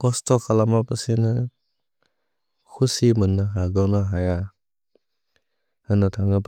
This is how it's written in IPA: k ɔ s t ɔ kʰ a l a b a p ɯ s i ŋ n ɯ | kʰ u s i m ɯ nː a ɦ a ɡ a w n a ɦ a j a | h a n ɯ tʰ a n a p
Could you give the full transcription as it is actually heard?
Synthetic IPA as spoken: k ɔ s t ɔ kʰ a l a m a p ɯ s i n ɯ | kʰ u s i m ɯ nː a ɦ a ɡ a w n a ɦ a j a | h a n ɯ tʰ a ŋ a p